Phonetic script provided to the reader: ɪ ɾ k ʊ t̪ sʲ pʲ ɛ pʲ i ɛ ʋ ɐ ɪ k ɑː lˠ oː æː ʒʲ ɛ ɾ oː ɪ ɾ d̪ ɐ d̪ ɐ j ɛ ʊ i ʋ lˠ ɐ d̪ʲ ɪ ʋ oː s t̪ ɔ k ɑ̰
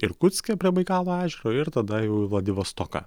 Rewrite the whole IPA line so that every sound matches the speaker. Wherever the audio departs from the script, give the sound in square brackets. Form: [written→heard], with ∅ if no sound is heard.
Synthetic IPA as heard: ɪ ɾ k ʊ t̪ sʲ [pʲ→kʲ] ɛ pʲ i ɛ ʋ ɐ ɪ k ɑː lˠ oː æː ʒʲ ɛ ɾ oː ɪ ɾ [d̪→t̪] ɐ d̪ ɐ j ɛ ʊ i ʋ lˠ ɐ d̪ʲ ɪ ʋ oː s t̪ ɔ k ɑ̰